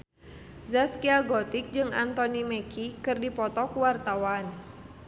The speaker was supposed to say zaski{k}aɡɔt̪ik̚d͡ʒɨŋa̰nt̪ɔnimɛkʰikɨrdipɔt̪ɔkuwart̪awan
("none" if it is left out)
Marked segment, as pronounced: none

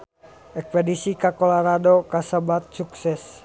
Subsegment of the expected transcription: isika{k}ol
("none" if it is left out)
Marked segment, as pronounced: k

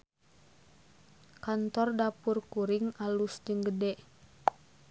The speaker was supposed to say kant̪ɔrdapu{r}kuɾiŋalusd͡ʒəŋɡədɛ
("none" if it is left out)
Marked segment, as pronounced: r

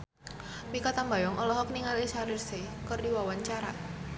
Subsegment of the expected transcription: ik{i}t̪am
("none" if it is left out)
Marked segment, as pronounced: a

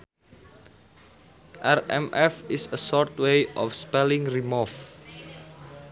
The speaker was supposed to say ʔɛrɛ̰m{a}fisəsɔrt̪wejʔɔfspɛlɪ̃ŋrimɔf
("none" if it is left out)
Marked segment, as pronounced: ɛ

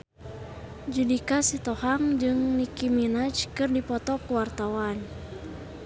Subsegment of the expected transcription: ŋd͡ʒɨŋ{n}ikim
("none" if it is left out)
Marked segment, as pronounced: n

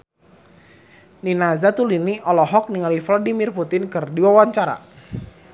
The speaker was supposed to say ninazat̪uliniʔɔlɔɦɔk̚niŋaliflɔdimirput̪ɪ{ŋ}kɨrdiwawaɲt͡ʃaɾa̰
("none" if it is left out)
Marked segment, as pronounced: n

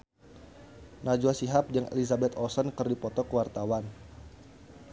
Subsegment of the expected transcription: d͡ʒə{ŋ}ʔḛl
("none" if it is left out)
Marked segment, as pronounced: ŋ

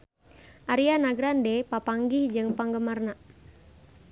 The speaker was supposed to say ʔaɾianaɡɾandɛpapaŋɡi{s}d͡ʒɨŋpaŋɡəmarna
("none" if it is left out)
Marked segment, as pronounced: h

